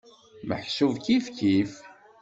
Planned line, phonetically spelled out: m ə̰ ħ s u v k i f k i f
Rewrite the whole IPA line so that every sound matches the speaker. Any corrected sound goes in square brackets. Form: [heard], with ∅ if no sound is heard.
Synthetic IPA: m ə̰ ħ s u v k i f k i f